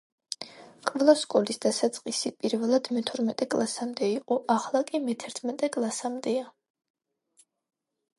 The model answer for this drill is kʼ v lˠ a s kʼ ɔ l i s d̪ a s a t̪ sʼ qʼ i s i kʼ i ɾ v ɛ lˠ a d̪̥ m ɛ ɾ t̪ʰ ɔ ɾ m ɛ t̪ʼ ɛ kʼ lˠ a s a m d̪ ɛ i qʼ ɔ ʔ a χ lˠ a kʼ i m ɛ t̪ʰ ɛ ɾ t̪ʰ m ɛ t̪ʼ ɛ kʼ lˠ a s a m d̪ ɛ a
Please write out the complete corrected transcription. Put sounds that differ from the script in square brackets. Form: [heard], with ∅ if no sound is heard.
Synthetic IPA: kʼ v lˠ a s kʼ ɔ l i s d̪ a s a t̪ sʼ qʼ i s i [pʼ] i ɾ v ɛ lˠ a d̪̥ m ɛ [∅] t̪ʰ ɔ ɾ m ɛ t̪ʼ ɛ kʼ lˠ a s a m d̪ ɛ i qʼ ɔ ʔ a χ lˠ a kʼ i m ɛ t̪ʰ ɛ ɾ t̪ʰ m ɛ t̪ʼ ɛ kʼ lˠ a s a m d̪ ɛ a